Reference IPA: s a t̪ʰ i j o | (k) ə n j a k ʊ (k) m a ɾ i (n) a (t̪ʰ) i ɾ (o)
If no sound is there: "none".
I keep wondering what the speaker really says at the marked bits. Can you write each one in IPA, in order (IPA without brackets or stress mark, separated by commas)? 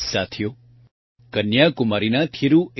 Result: k, none, n, t̪ʰ, u